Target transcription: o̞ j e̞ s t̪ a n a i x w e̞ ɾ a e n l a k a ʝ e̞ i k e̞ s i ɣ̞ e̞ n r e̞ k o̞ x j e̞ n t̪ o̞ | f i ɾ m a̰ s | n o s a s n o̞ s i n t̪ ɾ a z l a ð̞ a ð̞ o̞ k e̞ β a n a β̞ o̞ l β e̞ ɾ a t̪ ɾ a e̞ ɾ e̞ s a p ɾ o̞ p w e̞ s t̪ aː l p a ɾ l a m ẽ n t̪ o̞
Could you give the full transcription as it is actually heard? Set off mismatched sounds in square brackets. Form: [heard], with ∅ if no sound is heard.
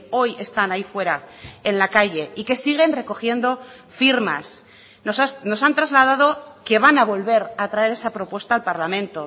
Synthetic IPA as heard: o̞ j e̞ s t̪ a n a i [f] w e̞ ɾ a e n l a k a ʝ e̞ i k e̞ s i ɣ̞ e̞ n r e̞ k o̞ x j e̞ n [d̪] o̞ | f i ɾ m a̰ s | n o s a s n o̞ s [a] n t̪ ɾ a z l a ð̞ a ð̞ o̞ k e̞ β a n a β̞ o̞ l β e̞ ɾ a t̪ ɾ a e̞ ɾ e̞ s a p ɾ o̞ p w e̞ s t̪ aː l p a ɾ l a m ẽ n t̪ o̞